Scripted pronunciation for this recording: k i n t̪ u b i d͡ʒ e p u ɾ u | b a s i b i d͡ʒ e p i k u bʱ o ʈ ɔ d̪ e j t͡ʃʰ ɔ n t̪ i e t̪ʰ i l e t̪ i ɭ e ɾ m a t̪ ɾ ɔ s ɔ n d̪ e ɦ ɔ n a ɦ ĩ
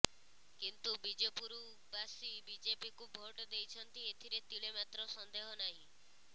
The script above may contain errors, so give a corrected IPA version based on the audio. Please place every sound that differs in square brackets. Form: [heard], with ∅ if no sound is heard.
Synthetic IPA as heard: k i n t̪ u b i d͡ʒ e p u ɾ u | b a s i b i d͡ʒ e p i k u bʱ o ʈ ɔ d̪ e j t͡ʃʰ ɔ n t̪ i e t̪ʰ i [ɾ] e t̪ i ɭ e [∅] m a t̪ ɾ ɔ s ɔ n d̪ e ɦ ɔ n a ɦ ĩ

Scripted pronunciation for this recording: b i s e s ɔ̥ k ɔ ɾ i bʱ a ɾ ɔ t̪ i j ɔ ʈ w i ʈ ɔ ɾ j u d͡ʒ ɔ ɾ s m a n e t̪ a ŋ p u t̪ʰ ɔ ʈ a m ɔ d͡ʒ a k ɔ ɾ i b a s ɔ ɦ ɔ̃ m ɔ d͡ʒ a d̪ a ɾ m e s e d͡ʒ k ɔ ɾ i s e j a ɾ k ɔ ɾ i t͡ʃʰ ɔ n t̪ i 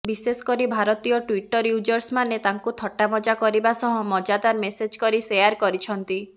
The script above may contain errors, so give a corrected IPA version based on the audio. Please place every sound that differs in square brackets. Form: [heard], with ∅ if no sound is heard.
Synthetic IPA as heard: b i s e s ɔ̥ k ɔ ɾ i bʱ a ɾ ɔ t̪ i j ɔ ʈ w i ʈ ɔ ɾ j u d͡ʒ ɔ ɾ s m a n e t̪ a ŋ [k] u t̪ʰ ɔ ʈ a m ɔ d͡ʒ a k ɔ ɾ i b a s ɔ ɦ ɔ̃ m ɔ d͡ʒ a d̪ a ɾ m e s e d͡ʒ k ɔ ɾ i s e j a ɾ k ɔ ɾ i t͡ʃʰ ɔ n t̪ i

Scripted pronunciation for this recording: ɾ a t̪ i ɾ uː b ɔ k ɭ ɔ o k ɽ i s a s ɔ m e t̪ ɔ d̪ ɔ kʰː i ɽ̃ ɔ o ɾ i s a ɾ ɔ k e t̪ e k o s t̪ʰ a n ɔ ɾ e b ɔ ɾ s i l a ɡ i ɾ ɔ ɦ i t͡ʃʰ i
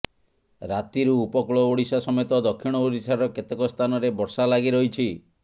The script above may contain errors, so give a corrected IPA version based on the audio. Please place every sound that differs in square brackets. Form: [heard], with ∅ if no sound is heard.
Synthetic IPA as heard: ɾ a t̪ i ɾ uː [p] ɔ k ɭ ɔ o [∅] ɽ i s a s ɔ m e t̪ ɔ d̪ ɔ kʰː i ɽ̃ ɔ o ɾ i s a ɾ ɔ k e t̪ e k [ɔ] s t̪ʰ a n ɔ ɾ e b ɔ ɾ s [a] l a ɡ i ɾ ɔ ɦ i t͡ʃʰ i

